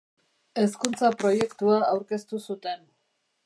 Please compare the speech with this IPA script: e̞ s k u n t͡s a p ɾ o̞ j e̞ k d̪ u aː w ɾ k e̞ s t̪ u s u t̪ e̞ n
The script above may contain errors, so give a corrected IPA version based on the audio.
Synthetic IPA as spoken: e̞ s k u n t͡s a p ɾ o̞ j e̞ k t̪ u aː w ɾ k e̞ s t̪ u s u t̪ e̞ n